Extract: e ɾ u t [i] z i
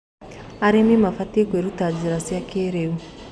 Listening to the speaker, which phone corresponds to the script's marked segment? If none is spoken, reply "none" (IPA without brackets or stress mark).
a